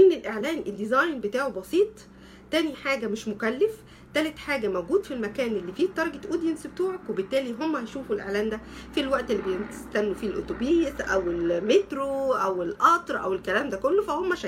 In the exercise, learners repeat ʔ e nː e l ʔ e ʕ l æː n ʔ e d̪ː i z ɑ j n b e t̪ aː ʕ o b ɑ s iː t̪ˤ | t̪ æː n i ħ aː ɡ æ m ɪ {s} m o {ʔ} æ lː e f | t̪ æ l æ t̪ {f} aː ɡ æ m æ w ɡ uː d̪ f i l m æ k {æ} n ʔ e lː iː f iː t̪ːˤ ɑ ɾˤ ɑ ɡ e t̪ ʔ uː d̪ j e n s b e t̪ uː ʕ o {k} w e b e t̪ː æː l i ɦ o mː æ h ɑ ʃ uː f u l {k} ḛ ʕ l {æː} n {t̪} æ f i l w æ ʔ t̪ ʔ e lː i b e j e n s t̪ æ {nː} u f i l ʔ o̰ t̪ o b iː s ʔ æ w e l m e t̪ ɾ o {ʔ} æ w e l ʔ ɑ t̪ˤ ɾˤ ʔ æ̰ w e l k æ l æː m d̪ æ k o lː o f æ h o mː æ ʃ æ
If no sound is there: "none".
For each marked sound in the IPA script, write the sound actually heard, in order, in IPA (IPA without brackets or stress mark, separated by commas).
ʃ, k, ħ, æː, k, ʔ, æː, d̪, nː, ʔ